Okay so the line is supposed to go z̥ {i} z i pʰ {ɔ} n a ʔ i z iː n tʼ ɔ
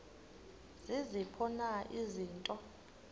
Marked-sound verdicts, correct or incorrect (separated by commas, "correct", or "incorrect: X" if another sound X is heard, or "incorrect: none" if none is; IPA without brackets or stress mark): correct, correct